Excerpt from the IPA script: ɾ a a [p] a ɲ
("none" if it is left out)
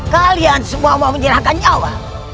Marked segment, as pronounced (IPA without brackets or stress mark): k